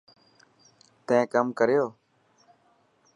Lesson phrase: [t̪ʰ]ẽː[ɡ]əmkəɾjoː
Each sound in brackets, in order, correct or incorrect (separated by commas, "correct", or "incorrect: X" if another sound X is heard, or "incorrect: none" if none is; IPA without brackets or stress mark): incorrect: t̪, incorrect: k